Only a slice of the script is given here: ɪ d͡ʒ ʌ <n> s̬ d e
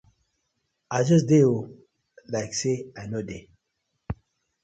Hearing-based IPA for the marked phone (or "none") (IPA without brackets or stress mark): none